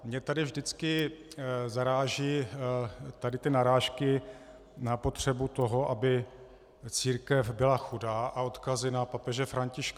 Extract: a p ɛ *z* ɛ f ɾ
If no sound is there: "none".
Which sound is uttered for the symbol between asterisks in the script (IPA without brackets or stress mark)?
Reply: ʒ